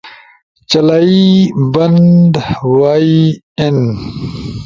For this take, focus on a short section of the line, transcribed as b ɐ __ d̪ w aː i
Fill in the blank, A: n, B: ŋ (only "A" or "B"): A